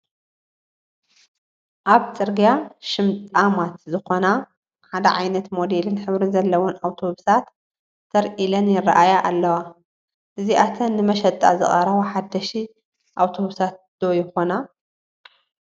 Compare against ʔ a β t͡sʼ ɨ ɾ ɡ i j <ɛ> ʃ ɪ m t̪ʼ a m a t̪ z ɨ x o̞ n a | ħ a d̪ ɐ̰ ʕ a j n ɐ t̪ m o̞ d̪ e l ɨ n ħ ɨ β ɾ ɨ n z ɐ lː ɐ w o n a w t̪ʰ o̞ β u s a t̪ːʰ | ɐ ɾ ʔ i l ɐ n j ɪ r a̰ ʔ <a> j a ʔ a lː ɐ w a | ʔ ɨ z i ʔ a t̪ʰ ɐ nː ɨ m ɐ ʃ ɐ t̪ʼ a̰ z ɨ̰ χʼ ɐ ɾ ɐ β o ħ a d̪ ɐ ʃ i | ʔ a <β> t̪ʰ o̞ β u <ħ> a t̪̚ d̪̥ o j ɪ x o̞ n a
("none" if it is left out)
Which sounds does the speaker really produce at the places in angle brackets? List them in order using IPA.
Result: a, a, w, s

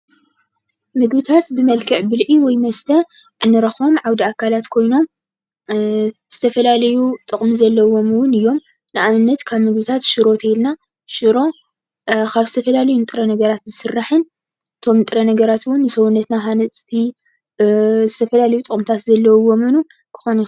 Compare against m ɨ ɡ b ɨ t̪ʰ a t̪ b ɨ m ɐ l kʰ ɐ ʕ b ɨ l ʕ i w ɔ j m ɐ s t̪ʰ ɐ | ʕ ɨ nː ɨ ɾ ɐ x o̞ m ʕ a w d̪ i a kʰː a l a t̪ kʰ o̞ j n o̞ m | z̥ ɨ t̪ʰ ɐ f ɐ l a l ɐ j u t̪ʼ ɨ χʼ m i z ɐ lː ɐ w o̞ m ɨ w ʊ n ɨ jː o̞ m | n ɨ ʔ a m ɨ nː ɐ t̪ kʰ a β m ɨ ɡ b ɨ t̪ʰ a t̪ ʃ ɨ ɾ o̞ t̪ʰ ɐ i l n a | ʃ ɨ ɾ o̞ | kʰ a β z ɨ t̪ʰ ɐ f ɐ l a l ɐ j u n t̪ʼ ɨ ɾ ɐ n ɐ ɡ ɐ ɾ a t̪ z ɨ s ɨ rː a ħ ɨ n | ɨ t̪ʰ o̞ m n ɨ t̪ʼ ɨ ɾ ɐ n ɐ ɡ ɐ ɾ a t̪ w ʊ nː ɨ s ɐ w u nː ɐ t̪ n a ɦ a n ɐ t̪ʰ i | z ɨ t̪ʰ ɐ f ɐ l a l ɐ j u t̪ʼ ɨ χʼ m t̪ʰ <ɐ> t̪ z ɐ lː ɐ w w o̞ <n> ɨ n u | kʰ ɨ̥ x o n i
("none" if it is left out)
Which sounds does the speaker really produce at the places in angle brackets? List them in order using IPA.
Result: a, m

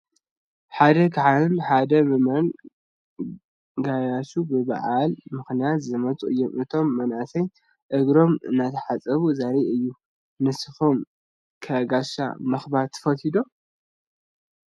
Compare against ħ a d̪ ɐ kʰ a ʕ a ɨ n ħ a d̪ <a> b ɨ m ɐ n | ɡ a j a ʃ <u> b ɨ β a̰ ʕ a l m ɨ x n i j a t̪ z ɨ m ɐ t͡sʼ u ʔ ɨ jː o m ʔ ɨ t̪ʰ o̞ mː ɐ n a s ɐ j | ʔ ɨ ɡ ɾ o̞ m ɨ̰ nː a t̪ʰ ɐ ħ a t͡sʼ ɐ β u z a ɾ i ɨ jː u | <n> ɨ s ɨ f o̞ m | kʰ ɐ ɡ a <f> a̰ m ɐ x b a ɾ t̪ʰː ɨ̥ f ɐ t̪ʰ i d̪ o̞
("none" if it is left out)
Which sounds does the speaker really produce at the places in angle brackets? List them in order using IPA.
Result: ɐ, u, n, ʃ

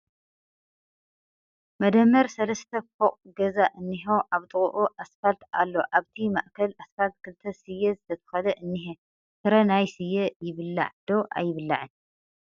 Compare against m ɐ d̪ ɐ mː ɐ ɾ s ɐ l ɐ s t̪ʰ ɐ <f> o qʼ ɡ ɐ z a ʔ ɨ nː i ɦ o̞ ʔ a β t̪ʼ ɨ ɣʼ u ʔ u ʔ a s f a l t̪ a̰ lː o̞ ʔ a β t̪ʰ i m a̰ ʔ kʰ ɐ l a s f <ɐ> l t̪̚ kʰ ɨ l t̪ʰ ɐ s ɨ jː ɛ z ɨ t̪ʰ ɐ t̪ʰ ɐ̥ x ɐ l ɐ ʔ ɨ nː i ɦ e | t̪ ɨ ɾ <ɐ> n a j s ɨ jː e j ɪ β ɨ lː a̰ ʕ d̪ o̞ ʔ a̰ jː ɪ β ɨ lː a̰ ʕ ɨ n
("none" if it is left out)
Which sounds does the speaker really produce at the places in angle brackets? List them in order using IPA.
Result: f, a, ɐ

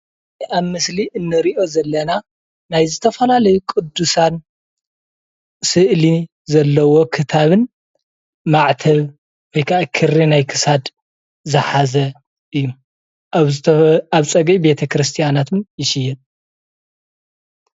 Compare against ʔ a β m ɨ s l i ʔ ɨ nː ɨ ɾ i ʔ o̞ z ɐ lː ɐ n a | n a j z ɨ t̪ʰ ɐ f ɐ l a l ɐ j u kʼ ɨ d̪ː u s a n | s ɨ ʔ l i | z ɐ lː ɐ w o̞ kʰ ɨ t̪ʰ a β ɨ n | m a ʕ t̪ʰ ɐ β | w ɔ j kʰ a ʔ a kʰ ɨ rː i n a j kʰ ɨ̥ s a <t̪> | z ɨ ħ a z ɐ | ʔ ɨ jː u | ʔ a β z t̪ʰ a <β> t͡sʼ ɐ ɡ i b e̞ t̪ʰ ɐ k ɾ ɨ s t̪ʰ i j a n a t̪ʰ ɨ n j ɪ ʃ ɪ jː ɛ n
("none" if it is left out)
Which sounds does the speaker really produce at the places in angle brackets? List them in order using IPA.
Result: d̪, β

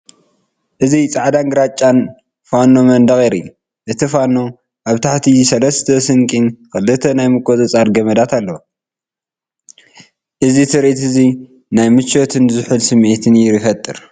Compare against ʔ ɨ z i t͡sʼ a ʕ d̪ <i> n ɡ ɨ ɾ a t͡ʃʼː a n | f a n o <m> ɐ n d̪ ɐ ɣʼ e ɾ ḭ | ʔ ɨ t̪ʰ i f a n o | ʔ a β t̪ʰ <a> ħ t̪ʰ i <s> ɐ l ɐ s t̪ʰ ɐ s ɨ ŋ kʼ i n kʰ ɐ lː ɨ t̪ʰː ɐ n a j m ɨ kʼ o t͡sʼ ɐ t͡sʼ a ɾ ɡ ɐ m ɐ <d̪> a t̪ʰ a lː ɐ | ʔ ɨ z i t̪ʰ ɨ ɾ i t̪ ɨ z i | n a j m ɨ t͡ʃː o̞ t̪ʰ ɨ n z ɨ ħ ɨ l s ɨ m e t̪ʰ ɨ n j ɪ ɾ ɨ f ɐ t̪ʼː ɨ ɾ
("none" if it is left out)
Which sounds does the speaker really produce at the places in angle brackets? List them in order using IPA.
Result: a, m, a, s, d̪

